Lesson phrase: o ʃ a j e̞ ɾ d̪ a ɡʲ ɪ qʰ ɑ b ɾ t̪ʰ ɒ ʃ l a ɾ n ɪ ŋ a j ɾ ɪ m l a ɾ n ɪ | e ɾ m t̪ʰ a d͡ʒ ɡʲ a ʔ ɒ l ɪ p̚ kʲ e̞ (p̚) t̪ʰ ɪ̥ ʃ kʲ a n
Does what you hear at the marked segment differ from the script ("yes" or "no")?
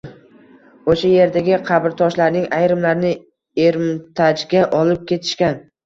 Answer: yes